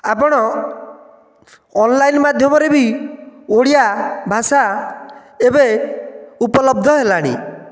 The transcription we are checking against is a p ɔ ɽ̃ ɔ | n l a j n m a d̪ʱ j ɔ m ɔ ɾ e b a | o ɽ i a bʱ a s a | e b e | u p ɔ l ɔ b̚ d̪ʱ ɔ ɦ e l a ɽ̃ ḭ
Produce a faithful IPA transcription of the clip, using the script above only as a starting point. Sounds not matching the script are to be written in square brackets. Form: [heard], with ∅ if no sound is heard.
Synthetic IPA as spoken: a p ɔ ɽ̃ ɔ | n l a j n m a d̪ʱ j ɔ m ɔ ɾ e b [i] | o ɽ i a bʱ a s a | e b e | u p ɔ l ɔ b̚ d̪ʱ ɔ ɦ e l a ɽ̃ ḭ